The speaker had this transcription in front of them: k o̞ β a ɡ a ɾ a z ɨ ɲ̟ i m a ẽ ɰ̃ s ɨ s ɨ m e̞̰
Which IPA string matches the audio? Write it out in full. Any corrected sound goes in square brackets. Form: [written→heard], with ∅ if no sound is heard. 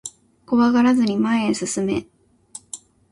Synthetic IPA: k o̞ β a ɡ a ɾ a z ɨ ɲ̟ i m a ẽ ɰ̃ s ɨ s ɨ m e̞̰